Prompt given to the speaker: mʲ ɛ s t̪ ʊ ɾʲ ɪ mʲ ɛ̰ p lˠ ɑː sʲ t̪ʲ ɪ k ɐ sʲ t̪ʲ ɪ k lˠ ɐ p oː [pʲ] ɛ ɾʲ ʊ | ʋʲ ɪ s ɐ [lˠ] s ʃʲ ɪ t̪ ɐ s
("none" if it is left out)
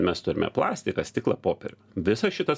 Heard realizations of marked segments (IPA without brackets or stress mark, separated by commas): pʲ, none